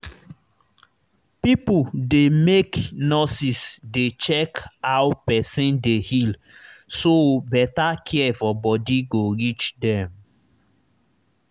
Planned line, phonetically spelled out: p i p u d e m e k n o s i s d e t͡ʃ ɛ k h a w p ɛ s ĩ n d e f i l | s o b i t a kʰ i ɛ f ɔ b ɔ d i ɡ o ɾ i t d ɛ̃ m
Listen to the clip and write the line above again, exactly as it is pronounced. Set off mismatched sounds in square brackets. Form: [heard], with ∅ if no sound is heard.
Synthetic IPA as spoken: p i p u d e m e k n [ɔ] s i s d e t͡ʃ ɛ k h a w p ɛ s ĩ n d e [h] i l | s o b [ɛ] t a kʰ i ɛ f ɔ b ɔ d i ɡ o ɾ i [t͡ʃ] d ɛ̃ m